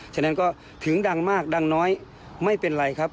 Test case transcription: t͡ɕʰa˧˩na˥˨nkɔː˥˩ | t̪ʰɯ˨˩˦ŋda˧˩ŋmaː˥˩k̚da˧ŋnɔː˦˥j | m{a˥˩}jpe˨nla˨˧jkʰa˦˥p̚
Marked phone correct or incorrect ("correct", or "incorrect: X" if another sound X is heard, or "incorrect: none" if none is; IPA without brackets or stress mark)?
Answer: correct